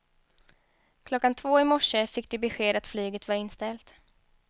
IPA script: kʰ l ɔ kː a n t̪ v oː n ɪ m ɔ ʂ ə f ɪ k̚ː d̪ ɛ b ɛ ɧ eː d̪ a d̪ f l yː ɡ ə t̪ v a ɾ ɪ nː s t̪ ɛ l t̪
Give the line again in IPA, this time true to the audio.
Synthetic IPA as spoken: kʰ l ɔ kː a n t̪ʰ v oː ɪ m ɔ ʂ ə f ɪ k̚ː d̪ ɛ b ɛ ɧ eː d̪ a t̪ f l yː ɡ ə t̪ v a ɾ ɪ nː s t̪ ɛ l t̪